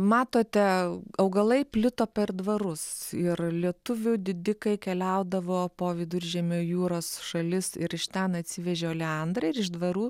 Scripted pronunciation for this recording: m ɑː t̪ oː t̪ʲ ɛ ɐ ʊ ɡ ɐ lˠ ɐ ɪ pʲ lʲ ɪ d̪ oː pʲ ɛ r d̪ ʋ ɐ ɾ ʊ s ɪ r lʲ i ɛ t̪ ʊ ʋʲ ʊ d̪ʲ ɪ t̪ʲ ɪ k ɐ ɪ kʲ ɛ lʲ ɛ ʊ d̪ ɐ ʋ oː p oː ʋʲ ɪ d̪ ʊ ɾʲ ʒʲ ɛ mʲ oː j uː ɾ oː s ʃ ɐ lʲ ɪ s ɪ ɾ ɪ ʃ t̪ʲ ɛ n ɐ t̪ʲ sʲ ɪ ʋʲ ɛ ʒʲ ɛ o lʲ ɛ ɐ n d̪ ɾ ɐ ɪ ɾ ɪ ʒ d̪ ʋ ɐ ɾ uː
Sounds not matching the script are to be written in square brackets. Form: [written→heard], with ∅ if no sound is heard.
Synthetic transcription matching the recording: m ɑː t̪ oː t̪ʲ ɛ ɐ ʊ ɡ ɐ lˠ ɐ ɪ pʲ lʲ ɪ [d̪→t̪] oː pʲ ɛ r d̪ ʋ ɐ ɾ ʊ s ɪ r lʲ i ɛ t̪ ʊ ʋʲ ʊ d̪ʲ ɪ [t̪ʲ→d̪ʲ] ɪ k ɐ ɪ kʲ ɛ lʲ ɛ ʊ d̪ ɐ ʋ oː p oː ʋʲ ɪ d̪ ʊ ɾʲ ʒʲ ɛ mʲ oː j uː ɾ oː s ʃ ɐ lʲ ɪ s ɪ ɾ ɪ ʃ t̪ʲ ɛ n ɐ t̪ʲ sʲ ɪ ʋʲ ɛ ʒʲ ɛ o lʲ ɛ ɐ n d̪ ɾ ɐ ɪ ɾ ɪ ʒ d̪ ʋ ɐ ɾ uː